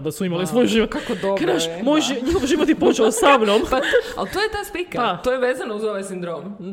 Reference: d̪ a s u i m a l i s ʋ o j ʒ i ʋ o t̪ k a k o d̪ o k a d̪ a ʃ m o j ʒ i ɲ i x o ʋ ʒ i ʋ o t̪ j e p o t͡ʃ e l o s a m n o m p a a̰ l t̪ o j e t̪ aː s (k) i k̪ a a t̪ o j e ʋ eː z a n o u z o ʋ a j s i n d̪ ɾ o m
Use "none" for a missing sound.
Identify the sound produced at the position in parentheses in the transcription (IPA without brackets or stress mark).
p